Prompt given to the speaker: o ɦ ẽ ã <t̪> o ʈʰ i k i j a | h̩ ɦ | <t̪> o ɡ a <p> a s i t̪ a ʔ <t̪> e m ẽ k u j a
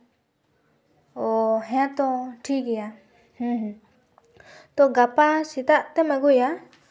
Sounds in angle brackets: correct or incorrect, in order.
correct, correct, correct, correct

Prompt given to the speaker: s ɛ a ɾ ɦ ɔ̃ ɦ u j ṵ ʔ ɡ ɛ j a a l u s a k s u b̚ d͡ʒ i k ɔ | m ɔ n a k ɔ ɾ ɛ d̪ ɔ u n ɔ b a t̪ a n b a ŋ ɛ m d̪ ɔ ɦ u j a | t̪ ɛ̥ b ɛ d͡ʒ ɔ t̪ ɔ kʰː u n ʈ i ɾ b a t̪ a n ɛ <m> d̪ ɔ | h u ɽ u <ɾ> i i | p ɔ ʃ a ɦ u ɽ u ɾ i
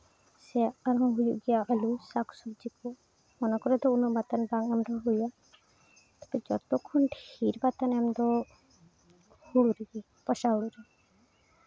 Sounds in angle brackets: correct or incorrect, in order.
correct, correct

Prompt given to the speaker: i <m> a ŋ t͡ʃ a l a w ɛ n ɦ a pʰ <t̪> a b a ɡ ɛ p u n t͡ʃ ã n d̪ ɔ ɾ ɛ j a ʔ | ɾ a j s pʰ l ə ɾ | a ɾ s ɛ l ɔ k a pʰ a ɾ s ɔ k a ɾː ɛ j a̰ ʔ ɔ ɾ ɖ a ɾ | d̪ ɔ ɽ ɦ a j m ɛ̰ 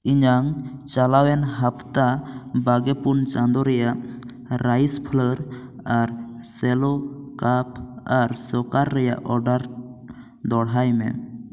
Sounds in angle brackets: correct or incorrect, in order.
incorrect: ɲ, correct

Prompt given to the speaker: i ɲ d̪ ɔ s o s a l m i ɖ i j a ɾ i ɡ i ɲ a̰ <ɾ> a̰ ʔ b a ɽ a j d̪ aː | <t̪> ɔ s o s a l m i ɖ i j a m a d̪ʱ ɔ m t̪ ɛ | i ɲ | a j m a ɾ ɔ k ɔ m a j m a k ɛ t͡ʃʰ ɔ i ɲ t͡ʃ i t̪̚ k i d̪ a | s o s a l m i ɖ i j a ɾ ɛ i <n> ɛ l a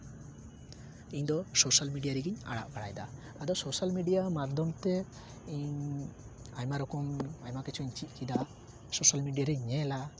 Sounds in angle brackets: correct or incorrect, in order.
incorrect: ɽ, incorrect: d̪, incorrect: ɲ

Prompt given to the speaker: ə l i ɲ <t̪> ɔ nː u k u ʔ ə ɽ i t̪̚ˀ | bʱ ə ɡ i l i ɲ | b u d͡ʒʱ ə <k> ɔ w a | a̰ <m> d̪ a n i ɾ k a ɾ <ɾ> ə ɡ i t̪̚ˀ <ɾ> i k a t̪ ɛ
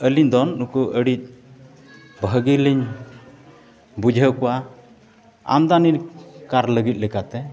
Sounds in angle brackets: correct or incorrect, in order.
incorrect: d̪, correct, correct, incorrect: l, incorrect: l

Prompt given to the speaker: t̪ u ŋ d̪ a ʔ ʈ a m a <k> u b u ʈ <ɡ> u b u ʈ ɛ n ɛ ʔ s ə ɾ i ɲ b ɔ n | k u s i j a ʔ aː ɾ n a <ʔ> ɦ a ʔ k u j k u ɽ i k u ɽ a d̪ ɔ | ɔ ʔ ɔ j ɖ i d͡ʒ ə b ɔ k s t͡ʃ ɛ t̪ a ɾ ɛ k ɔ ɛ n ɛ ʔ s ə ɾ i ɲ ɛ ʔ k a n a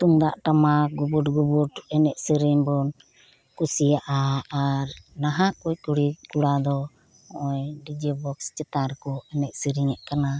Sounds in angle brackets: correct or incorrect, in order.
incorrect: ɡ, correct, incorrect: none

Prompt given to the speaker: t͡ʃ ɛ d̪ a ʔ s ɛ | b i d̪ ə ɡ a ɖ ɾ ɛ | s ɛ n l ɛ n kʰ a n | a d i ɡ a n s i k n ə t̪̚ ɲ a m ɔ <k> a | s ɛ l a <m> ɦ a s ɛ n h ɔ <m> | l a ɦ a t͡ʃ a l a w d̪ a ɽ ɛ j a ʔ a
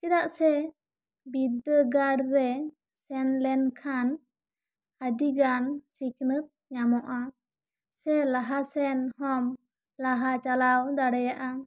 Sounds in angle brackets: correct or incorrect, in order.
incorrect: ʔ, incorrect: none, correct

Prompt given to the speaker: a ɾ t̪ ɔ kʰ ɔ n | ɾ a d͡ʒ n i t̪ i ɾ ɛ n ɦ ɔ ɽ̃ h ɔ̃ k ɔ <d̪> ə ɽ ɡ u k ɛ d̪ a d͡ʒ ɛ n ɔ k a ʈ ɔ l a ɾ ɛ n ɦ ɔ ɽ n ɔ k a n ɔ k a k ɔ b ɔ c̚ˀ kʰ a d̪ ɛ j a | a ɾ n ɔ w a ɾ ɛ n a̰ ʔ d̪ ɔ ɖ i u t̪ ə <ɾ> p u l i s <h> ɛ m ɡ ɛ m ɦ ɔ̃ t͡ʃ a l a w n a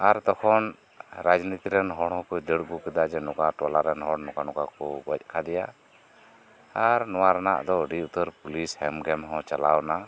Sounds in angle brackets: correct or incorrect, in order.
correct, correct, correct

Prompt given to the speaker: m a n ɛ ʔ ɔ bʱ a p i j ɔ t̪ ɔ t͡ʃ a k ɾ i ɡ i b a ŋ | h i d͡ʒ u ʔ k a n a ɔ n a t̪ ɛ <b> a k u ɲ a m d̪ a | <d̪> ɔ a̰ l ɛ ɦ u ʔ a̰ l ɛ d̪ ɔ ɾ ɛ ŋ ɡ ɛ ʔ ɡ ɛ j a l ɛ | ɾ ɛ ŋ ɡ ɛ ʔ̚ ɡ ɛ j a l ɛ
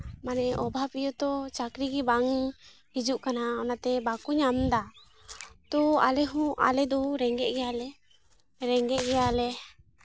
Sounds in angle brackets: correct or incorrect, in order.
correct, incorrect: t̪

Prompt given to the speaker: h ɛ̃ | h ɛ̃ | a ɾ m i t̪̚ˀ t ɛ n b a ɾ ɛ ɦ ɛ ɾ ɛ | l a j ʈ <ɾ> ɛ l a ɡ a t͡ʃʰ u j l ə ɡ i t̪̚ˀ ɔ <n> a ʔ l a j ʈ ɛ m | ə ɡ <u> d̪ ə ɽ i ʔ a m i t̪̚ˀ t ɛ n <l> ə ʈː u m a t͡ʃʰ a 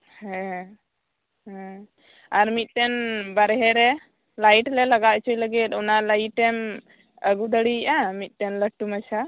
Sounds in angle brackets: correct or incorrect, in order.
incorrect: l, correct, correct, correct

